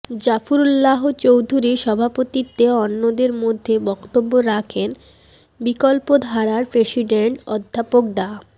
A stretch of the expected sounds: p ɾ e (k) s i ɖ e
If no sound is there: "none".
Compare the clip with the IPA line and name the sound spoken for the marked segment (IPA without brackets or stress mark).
none